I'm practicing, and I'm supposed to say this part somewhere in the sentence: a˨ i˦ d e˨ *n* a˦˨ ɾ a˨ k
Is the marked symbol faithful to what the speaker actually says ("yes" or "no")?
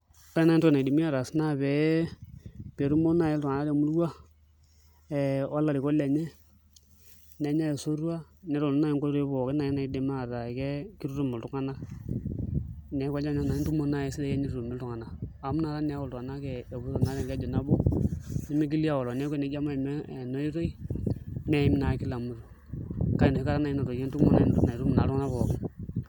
no